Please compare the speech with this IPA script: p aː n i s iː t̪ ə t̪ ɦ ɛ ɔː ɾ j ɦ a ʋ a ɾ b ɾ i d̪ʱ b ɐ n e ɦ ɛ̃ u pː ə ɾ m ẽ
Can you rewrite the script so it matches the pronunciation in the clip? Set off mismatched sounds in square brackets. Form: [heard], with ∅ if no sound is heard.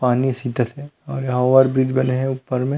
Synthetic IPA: p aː n i s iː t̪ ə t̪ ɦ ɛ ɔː ɾ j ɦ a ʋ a ɾ b ɾ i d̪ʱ b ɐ n e ɦ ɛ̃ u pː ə ɾ m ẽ